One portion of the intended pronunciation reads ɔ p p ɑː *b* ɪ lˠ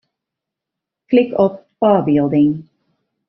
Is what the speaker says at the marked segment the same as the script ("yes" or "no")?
yes